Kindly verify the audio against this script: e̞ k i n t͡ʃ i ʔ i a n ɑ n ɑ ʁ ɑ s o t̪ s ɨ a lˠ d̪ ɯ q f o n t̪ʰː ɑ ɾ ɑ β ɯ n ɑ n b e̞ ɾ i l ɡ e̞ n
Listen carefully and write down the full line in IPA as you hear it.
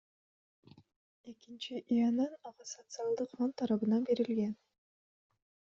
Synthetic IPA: e̞ k i n t͡ʃ i ʔ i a n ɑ n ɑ ʁ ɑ s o t̪ s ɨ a lˠ d̪ ɯ q f o n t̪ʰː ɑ ɾ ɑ β ɯ n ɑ n b e̞ ɾ i l ɡ e̞ n